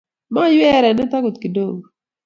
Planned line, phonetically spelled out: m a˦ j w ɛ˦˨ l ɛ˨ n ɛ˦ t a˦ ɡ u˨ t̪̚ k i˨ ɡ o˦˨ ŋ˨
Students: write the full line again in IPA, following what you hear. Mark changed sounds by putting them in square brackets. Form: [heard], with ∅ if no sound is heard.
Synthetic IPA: m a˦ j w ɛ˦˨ [ɾ] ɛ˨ n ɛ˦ t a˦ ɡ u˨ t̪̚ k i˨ [d] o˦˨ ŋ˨